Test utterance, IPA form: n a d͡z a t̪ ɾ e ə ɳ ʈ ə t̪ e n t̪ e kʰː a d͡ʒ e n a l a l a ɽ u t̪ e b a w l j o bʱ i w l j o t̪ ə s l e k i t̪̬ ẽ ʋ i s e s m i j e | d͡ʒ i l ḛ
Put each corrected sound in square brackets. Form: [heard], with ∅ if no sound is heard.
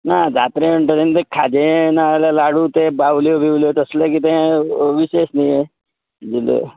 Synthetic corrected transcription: n a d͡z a t̪ ɾ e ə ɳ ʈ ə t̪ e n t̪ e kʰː a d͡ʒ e n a l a l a ɽ u t̪ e b a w l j o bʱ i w l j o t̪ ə s l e k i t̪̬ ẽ ʋ i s e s [n] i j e | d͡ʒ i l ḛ